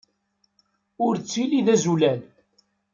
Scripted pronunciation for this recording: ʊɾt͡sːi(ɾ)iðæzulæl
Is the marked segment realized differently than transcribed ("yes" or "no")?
yes